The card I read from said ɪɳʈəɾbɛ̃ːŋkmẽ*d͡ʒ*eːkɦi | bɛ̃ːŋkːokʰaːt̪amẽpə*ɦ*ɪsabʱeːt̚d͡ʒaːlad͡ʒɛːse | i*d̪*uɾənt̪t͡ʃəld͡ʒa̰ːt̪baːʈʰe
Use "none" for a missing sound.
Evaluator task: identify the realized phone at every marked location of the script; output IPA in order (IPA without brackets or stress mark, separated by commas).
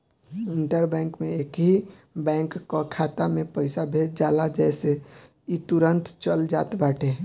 none, none, t̪